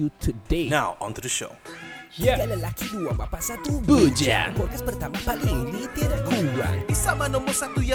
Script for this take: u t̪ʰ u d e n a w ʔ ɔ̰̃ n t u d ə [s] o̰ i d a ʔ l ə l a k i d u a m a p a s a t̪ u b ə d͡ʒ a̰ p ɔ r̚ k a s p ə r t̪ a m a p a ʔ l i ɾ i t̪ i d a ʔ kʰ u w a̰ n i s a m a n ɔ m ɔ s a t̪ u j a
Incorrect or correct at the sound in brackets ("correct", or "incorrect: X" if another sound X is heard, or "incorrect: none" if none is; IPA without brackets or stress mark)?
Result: incorrect: ʃ